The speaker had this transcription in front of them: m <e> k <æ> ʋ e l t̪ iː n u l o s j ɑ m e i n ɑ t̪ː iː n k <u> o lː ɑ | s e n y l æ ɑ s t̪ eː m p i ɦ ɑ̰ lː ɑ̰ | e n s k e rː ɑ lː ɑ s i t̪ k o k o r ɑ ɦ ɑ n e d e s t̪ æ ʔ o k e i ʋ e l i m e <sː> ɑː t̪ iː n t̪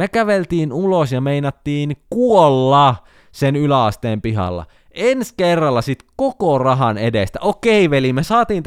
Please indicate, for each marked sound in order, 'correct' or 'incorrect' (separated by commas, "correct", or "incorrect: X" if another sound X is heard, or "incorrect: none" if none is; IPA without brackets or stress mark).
correct, correct, correct, incorrect: s